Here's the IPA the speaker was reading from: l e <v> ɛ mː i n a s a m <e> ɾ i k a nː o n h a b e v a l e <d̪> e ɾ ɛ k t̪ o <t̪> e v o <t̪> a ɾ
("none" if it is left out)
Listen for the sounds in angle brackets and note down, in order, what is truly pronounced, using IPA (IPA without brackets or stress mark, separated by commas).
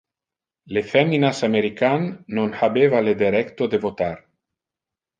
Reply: f, e, d̪, d̪, t̪